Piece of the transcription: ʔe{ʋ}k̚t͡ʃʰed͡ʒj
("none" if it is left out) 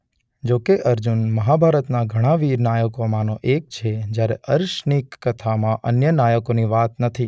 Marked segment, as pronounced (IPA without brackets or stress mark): none